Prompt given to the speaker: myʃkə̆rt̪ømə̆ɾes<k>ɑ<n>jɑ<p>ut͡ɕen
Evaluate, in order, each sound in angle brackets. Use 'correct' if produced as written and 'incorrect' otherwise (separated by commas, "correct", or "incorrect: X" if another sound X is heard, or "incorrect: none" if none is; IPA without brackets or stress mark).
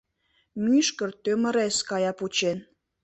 correct, incorrect: none, correct